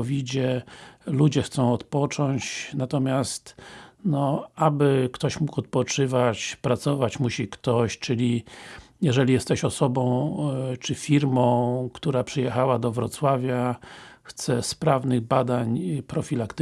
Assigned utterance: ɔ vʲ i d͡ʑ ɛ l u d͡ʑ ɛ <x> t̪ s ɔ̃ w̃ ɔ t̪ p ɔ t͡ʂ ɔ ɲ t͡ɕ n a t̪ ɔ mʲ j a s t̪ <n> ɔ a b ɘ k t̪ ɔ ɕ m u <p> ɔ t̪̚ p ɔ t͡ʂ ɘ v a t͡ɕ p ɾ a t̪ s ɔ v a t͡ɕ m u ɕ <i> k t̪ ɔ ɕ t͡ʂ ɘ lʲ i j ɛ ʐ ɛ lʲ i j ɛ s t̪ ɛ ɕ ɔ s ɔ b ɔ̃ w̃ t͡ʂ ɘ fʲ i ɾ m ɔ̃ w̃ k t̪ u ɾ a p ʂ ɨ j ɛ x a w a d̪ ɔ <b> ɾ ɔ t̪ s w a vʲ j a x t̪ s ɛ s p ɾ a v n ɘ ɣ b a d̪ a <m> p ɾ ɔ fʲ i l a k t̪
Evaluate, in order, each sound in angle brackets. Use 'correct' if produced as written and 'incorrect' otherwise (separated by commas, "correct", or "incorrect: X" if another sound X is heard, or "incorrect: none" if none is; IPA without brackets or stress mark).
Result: correct, correct, incorrect: k, correct, incorrect: v, incorrect: ɲ